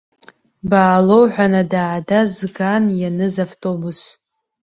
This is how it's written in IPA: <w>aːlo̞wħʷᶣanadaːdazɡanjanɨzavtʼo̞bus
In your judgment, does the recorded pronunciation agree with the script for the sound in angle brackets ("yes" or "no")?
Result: no